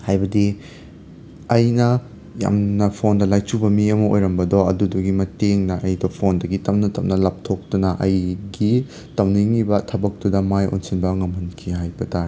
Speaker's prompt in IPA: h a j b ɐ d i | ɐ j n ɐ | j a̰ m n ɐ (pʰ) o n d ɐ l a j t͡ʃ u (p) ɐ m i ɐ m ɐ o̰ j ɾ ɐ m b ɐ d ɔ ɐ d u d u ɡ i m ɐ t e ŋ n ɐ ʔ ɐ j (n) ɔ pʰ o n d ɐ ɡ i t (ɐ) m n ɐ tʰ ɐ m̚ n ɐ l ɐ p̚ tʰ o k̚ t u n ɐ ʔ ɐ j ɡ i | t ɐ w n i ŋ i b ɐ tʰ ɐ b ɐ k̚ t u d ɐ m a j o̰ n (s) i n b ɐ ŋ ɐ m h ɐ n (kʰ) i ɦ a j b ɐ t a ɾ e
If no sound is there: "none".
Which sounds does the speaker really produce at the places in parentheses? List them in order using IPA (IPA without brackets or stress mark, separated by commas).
pʰ, b, d, ɐ, s, kʰ